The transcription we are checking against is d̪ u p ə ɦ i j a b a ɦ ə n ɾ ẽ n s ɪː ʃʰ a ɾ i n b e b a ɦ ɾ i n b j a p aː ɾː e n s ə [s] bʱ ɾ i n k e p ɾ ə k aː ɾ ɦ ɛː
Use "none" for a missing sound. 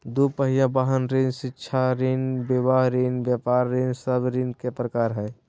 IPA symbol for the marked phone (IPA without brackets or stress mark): none